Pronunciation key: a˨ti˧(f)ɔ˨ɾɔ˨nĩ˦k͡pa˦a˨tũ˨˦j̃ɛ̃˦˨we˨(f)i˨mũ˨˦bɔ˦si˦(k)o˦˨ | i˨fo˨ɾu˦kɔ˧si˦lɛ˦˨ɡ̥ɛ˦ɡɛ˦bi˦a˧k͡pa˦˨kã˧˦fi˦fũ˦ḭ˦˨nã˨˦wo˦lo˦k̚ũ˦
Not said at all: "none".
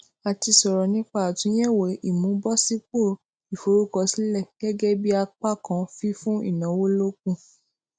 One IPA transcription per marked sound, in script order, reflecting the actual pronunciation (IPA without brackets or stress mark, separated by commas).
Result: s, none, k͡p